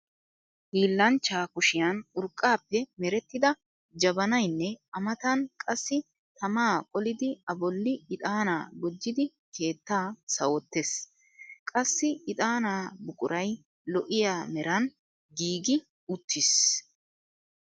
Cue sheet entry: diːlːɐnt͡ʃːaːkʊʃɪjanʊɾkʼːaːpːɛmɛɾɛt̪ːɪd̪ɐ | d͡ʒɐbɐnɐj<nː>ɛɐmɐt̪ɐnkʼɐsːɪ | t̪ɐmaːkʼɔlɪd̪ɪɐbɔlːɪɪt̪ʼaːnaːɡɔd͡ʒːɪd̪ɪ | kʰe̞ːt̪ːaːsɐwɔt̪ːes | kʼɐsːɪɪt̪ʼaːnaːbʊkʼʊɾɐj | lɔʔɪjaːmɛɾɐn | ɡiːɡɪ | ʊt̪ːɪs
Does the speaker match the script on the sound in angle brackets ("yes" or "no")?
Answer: yes